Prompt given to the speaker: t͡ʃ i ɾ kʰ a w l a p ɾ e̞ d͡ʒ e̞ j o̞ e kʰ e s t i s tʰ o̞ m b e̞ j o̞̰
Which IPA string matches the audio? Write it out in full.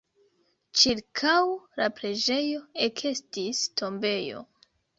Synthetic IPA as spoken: t͡ʃ i ɾ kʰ a w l a p ɾ e̞ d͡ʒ e̞ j o̞ e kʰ e s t i s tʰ o̞ m b e̞ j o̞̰